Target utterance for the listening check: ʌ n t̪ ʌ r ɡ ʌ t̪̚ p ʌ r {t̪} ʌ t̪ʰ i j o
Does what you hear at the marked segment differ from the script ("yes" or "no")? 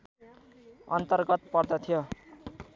yes